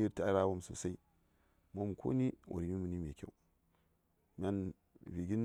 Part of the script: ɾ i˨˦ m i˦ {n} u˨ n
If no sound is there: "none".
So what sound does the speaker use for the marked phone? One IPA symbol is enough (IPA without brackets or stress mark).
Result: m